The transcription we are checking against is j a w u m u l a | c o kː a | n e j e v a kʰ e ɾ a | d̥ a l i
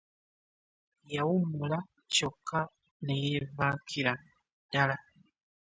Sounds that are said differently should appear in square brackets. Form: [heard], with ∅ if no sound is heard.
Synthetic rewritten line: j a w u m u l a | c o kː a | n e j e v a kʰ [i] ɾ a | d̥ a l [a]

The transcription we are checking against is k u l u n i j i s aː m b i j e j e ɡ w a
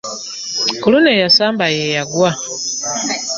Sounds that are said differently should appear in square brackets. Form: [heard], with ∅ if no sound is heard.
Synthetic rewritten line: k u l u n [e] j [a] s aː m b [a] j e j [a] ɡ w a

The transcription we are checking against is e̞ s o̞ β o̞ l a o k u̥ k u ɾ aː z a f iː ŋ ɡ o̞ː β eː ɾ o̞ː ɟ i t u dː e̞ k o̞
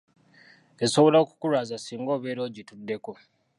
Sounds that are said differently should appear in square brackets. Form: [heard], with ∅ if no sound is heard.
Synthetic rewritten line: e̞ s o̞ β o̞ l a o k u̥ k u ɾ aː z a [s] iː ŋ ɡ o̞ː β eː ɾ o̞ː ɟ i t u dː e̞ k o̞

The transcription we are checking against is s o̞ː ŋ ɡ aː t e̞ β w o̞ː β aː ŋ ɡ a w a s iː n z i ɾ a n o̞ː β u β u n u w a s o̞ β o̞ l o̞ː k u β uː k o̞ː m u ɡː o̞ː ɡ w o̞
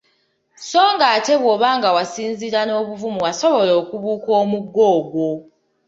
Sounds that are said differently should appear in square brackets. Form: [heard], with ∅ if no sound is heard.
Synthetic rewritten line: s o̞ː ŋ ɡ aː t e̞ β w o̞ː β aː ŋ ɡ a w a s iː n z i ɾ a n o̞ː β u [v] u [m] u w a s o̞ β o̞ l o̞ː k u β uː k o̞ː m u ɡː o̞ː ɡ w o̞

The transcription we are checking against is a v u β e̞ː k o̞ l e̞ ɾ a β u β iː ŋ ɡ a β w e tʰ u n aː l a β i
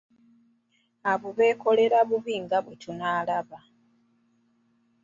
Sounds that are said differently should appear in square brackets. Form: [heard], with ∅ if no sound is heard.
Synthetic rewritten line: a [β] u β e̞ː k o̞ l e̞ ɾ a β u β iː ŋ ɡ a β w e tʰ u n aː l a β [a]

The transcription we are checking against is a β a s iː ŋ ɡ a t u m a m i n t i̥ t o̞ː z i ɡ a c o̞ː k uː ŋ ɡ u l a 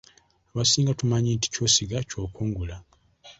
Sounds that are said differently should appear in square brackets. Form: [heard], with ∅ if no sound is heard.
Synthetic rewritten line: a β a s iː ŋ ɡ a t u m a [ɲ] i n t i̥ [c] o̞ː [s] i ɡ a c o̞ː k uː ŋ ɡ u l a

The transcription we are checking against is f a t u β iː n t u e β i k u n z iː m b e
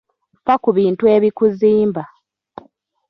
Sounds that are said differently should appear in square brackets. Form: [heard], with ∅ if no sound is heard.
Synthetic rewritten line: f a [k] u β iː n t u e β i k u [∅] z iː m b [a]

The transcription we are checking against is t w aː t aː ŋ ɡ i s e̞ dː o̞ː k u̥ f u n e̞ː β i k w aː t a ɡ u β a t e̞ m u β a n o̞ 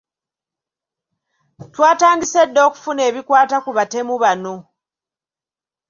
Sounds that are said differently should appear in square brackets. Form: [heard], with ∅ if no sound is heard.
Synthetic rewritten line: t w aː t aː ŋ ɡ i s e̞ dː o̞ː k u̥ f u n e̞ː β i k w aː t a [k] u β a t e̞ m u β a n o̞

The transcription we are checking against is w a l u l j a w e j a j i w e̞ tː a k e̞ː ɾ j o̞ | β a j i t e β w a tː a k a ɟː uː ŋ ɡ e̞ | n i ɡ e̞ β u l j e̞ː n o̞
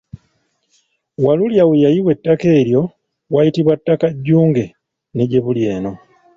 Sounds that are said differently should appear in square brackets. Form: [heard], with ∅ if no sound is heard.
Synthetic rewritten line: w a l u l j a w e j a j i w e̞ tː a k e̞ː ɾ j o̞ | [w] a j i t [i] β w a tː a k a ɟː uː ŋ ɡ e̞ | n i [ɟ] e̞ β u l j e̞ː n o̞

